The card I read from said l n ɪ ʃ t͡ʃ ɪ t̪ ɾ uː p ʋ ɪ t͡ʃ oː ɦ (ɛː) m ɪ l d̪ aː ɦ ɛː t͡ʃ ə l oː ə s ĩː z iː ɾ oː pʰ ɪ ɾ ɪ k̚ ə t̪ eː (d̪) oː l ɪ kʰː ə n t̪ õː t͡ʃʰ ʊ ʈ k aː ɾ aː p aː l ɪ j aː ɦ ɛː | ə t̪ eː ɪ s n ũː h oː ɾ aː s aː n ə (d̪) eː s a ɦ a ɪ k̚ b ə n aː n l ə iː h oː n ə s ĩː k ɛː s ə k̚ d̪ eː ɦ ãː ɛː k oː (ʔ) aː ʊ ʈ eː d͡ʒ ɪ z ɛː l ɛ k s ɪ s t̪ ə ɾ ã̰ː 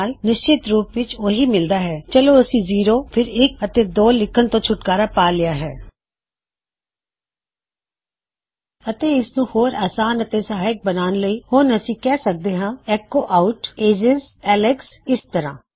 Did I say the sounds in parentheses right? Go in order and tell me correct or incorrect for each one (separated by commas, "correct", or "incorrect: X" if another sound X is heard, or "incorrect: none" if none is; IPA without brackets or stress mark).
incorrect: iː, correct, incorrect: t̪, correct